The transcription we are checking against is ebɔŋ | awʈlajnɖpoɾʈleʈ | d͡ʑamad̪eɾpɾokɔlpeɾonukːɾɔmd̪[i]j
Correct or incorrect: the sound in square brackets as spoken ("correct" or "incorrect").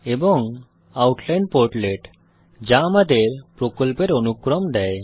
incorrect